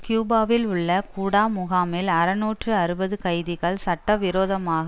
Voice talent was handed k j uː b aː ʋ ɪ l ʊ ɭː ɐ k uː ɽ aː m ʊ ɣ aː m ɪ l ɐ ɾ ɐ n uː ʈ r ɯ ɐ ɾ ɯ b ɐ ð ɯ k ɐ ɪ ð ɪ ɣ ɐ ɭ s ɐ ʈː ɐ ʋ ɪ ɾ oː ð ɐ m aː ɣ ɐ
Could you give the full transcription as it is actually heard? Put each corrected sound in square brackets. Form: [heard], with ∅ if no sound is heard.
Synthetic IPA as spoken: k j uː b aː ʋ ɪ l ʊ ɭː ɐ k uː ɽ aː m ʊ ɣ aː m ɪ l ɐ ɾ ɐ n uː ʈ r ɯ ɐ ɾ ɯ b ɐ ð ɯ k ɐ ɪ ð ɪ ɣ ɐ ɭ s ɐ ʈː ɐ ʋ ɪ ɾ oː ð ɐ m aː ɣ ɐ